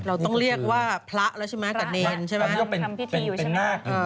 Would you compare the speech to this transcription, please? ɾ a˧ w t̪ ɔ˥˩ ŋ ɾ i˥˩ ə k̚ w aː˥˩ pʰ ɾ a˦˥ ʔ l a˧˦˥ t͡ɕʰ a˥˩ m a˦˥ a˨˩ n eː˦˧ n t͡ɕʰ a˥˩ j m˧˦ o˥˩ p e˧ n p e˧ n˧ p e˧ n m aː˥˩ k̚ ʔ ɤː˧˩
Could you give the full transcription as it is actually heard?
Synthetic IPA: ɾ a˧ w t̪ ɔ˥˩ ŋ ɾ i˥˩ ə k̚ w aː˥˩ pʰ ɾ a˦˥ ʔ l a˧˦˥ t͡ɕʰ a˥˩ m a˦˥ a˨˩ n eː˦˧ n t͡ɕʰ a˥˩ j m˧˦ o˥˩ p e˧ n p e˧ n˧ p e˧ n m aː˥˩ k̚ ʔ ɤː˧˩

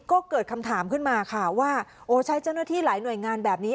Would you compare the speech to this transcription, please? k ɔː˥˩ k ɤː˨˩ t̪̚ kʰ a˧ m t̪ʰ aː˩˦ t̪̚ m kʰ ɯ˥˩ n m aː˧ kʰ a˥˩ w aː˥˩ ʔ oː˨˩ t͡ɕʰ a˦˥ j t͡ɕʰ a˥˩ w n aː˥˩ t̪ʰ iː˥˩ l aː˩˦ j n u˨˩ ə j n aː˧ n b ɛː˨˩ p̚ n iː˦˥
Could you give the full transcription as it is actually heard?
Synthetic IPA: k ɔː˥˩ k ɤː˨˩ t̪̚ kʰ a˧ m t̪ʰ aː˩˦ m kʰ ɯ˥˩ n m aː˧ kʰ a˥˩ w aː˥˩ ʔ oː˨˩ t͡ɕʰ a˦˥ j t͡ɕ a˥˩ w n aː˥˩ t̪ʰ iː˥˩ l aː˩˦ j n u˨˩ ə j ŋ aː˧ n b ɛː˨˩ p̚ n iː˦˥

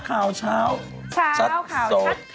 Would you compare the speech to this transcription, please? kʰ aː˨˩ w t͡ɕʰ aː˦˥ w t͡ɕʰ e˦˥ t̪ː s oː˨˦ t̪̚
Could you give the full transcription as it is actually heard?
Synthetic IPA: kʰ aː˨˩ w t͡ɕʰ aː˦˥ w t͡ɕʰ a˦˥ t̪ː s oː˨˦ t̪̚

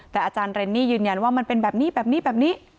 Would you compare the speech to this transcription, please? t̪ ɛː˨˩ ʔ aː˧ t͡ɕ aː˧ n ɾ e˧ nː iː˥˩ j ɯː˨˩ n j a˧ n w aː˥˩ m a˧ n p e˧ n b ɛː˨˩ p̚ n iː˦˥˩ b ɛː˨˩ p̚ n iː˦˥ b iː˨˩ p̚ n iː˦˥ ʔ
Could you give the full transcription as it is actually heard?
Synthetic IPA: t̪ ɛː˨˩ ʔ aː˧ t͡ɕ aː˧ n ɾ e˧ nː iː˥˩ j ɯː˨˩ n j a˧ n w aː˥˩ m a˧ n p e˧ n b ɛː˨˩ p̚ n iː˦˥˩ b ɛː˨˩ p̚ n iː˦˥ b ɛː˨˩ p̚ n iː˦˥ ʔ

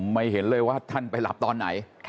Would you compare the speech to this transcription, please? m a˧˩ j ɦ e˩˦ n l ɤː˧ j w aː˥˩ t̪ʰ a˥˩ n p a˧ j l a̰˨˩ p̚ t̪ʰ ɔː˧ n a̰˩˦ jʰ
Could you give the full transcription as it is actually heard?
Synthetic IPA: m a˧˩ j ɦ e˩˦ n l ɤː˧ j w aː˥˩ t̪ʰ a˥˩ n p a˧ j l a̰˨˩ p̚ t̪ ɔː˧ nː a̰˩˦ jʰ

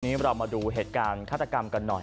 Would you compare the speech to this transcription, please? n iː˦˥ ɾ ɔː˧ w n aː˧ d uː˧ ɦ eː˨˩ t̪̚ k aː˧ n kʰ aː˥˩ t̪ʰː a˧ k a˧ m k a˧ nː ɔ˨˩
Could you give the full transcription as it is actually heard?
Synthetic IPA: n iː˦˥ ɾ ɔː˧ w m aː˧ d uː˧ ɦ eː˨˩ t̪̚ k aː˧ n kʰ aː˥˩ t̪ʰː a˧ k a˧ m k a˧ nː ɔ˨˩

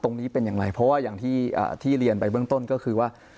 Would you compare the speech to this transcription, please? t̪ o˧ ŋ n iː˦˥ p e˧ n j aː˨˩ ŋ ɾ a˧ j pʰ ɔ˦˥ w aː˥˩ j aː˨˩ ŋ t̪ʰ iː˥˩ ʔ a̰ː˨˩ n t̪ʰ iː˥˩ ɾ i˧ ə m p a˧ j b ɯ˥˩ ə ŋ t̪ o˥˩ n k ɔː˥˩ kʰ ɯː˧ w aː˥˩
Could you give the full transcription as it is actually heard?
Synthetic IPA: t̪ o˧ ŋ n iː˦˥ p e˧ n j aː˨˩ ŋ ɾ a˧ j pʰ ɔ˦˥ w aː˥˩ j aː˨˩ ŋ t̪ʰ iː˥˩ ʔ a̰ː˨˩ t̪ʰ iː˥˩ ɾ i˧ ə n p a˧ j b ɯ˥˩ ə ŋ t̪ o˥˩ n k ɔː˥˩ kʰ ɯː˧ w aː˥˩

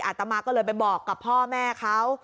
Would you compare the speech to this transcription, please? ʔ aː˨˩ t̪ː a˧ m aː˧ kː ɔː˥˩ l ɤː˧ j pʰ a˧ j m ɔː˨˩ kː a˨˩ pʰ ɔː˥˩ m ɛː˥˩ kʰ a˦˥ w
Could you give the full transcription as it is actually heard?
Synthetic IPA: ʔ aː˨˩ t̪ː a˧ m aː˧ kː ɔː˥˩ l ɤː˧ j p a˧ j b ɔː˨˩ kː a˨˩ pʰ ɔː˥˩ m ɛː˥˩ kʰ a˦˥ w

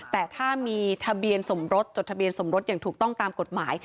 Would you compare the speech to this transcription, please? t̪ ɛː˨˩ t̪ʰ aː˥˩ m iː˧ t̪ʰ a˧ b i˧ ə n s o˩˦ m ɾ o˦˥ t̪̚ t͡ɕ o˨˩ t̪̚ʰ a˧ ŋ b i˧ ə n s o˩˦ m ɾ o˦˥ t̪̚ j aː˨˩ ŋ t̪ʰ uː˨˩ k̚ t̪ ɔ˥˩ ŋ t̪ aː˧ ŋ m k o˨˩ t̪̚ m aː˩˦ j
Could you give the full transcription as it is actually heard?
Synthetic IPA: t̪ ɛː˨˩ t̪ʰ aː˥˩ m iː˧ t̪ʰ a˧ b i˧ ə n s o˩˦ m ɾ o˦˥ t̪̚ t͡ɕ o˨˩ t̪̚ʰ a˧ b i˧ ə n s o˩˦ m ɾ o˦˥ t̪̚ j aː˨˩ ŋ t̪ʰ uː˨˩ k̚ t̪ ɔ˥˩ ŋ t̪ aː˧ m k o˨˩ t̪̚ m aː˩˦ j

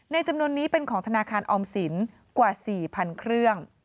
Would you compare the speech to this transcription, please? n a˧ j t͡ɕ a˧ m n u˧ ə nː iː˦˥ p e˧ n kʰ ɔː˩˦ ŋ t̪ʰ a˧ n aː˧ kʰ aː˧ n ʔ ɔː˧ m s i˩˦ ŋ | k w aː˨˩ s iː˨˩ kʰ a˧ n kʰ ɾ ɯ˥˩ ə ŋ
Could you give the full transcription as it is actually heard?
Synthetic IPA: n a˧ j t͡ɕ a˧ m n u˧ ə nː iː˦˥ p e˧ n kʰ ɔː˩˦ ŋ t̪ʰ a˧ n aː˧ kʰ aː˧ n ʔ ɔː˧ m s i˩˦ n | k w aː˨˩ s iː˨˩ pʰ a˧ n kʰ ɾ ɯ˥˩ ə ŋ

